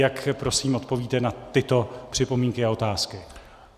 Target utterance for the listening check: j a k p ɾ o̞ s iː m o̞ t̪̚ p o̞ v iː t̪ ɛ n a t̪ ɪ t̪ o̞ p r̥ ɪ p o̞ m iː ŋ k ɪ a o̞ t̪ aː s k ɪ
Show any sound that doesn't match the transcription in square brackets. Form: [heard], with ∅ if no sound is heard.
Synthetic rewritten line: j a k p ɾ o̞ s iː m o̞ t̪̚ p o̞ v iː t̪ ɛ n a t̪ ɪ t̪ o̞ p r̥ ɪ p o̞ m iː ŋ k ɪ a o̞ t̪ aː s k ɪ